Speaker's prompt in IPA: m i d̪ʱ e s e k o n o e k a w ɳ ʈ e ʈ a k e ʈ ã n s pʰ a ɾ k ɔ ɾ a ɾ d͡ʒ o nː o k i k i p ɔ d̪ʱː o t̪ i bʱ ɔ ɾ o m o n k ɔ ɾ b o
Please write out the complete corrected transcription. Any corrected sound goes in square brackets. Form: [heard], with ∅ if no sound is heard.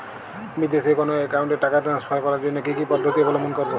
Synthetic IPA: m i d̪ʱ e s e k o n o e k a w ɳ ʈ e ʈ a k [a] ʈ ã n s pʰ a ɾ k ɔ ɾ a ɾ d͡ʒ o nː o k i k i p ɔ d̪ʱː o t̪ i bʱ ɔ [l] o m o n k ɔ ɾ b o

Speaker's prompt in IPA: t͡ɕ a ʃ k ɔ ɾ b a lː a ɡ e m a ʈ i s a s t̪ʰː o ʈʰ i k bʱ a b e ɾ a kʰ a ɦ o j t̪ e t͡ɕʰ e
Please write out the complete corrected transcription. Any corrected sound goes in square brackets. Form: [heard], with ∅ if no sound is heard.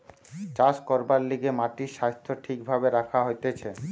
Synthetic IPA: t͡ɕ a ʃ k ɔ ɾ b a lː [i] ɡ e m a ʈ i [ʃ] a s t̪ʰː o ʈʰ i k bʱ a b e ɾ a kʰ a ɦ o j t̪ e t͡ɕʰ e

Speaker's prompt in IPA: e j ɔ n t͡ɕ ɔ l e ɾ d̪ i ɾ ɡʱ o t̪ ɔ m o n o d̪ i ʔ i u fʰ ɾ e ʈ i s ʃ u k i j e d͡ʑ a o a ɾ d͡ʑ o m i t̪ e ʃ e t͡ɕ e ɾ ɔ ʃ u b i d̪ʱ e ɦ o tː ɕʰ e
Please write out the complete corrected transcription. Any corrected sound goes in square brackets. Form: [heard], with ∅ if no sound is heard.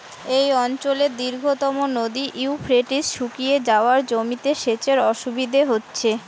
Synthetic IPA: e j ɔ n t͡ɕ [o] l e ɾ d̪ i ɾ ɡʱ o t̪ ɔ m o n o d̪ i ʔ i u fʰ ɾ e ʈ i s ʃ u k i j e d͡ʑ a o a ɾ d͡ʑ o m i t̪ e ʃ e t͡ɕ e ɾ ɔ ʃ u b i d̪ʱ e ɦ o tː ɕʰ e

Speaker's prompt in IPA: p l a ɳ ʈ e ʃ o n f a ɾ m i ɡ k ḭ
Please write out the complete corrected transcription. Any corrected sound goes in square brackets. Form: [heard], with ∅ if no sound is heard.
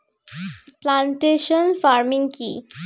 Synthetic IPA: p l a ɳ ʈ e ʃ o n f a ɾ m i [ŋ] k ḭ

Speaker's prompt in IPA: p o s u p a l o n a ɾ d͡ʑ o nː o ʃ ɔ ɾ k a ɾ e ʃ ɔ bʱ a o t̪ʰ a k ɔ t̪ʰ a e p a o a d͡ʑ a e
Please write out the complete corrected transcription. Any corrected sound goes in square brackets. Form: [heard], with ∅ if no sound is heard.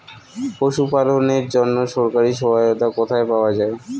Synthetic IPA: p o [ʃ] u p a l o n [e] ɾ d͡ʑ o nː o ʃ ɔ ɾ k a ɾ [i] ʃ ɔ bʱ a o [t̪] a k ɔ t̪ʰ a e p a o a d͡ʑ a e

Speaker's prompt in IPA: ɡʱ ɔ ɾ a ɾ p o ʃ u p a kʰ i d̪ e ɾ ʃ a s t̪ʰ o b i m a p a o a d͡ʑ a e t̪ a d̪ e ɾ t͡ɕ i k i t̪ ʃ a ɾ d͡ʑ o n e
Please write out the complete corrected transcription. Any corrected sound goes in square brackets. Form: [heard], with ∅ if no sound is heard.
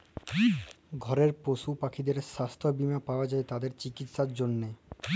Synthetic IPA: ɡʱ ɔ ɾ [e] ɾ p o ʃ u p a kʰ i d̪ e ɾ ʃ a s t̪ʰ o b i m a p a o a d͡ʑ a e t̪ a d̪ e ɾ t͡ɕ i k i t̪ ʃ a ɾ d͡ʑ o [nː] e

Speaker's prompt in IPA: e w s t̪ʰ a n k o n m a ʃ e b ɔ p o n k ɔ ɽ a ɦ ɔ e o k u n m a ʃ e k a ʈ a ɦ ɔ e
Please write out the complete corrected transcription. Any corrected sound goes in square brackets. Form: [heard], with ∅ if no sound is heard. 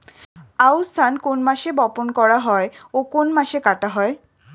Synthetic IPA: [a] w s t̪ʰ a n k o n m a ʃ e b ɔ p o n k ɔ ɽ a ɦ ɔ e o k [o] n m a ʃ e k a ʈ a ɦ ɔ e

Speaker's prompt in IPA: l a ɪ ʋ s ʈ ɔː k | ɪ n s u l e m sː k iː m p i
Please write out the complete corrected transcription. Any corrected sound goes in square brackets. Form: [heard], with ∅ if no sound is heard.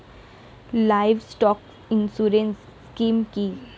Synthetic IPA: l a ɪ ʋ s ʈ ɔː k | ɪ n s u [ɾ] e [n] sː k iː m [k] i

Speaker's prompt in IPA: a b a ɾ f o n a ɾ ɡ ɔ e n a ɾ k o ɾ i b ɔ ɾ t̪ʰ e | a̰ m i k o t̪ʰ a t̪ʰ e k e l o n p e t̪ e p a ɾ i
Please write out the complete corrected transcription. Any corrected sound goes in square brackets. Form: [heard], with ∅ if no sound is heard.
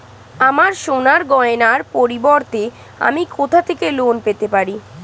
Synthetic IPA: a [m] a ɾ [ʃ] o n a ɾ ɡ ɔ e n a ɾ [p] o ɾ i b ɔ ɾ [t̪] e | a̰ m i k o t̪ʰ a t̪ʰ e k e l o n p e t̪ e p a ɾ i

